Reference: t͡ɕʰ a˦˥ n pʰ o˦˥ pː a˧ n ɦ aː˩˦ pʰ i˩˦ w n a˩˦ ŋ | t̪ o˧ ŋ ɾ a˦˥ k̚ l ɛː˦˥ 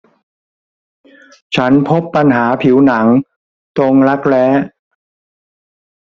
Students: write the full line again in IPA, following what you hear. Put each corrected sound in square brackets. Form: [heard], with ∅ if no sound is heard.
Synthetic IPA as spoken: t͡ɕʰ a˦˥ n pʰ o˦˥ pː a˧ n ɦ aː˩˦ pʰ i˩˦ w n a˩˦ ŋ | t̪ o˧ ŋ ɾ a˦˥ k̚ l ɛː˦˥